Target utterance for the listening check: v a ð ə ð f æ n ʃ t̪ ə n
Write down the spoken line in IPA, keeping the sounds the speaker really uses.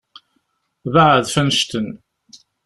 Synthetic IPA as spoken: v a ʕ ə ð f æ n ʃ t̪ ə n